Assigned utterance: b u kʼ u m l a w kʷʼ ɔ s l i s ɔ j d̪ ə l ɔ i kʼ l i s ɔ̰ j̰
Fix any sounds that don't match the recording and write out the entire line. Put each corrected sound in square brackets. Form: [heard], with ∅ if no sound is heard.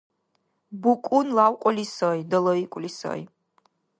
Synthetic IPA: b u kʼ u [n] l a w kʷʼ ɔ [∅] l i s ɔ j d̪ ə l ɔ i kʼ l i s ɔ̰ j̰